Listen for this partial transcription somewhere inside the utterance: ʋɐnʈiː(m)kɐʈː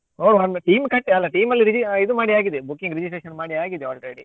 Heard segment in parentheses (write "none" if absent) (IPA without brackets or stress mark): m